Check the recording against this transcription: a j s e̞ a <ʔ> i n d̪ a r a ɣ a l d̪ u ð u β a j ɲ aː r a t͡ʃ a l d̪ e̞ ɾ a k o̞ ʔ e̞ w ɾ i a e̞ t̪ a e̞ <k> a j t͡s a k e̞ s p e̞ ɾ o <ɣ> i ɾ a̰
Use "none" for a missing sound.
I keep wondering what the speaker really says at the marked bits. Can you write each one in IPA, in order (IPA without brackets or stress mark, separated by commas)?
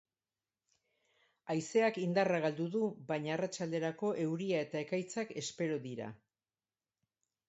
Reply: k, k, ð